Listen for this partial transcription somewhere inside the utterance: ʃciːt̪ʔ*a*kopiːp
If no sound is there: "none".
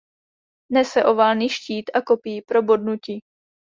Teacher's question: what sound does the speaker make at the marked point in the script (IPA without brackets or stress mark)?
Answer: a